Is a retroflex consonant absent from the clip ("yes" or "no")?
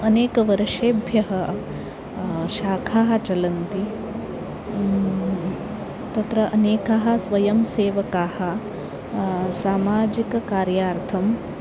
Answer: yes